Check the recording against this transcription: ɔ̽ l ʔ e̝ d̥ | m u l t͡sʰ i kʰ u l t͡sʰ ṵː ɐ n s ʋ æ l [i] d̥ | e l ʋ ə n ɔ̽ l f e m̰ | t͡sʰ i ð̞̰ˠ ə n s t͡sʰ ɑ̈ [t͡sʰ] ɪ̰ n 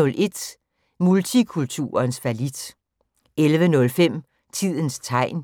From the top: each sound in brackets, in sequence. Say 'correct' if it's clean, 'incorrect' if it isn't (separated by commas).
correct, incorrect